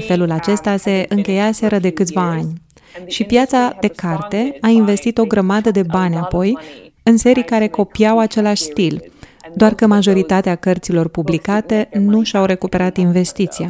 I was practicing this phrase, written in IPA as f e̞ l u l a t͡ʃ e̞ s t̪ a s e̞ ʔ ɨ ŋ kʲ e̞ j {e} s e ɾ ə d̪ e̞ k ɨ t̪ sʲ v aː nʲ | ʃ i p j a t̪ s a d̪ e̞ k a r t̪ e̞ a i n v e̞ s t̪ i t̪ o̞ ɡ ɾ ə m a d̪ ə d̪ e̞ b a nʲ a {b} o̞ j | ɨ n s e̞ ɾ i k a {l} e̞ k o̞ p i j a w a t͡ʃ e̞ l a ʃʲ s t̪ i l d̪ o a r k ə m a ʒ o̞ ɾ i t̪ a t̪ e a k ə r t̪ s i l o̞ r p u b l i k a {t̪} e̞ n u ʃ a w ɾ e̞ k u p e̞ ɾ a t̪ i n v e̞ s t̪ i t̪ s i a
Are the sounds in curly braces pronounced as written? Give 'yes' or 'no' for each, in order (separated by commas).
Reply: no, no, no, yes